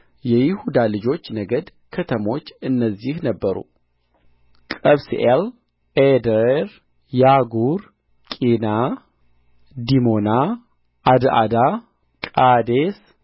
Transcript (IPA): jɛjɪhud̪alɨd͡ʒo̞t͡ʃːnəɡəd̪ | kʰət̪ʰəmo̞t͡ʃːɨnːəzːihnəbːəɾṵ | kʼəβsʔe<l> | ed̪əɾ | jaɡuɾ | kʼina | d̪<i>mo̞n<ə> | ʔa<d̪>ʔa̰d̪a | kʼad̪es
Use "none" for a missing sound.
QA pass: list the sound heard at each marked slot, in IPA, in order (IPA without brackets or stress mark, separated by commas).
l, i, a, d̪